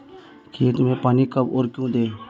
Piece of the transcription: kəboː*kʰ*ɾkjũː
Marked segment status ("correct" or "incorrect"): incorrect